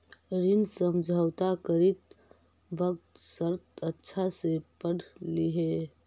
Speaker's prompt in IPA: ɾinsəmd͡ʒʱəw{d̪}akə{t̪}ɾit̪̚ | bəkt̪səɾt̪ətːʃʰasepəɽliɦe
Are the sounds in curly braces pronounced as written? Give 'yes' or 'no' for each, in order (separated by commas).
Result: no, no